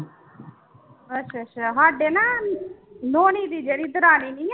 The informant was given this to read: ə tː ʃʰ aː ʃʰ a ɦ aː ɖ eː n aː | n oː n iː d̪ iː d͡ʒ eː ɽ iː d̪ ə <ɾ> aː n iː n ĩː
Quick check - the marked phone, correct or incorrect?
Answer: correct